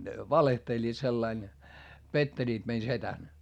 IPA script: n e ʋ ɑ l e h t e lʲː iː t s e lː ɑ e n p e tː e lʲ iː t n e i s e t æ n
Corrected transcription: n e ʋ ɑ l e h t e lʲː iː t s e lː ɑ i n p e tː e lʲ iː t m e i s e t æ n